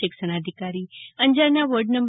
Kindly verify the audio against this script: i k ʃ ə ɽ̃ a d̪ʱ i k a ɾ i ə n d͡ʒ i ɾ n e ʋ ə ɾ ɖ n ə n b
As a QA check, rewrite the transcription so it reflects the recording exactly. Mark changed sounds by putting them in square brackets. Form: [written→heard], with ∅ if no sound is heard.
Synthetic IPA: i k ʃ ə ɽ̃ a d̪ʱ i k a ɾ i ə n d͡ʒ [i→a] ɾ n [e→a] ʋ ə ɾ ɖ n ə [n→m] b